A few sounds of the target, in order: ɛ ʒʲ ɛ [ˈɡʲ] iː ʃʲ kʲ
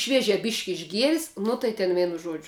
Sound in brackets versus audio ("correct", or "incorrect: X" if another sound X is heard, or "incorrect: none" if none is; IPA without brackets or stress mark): incorrect: bʲ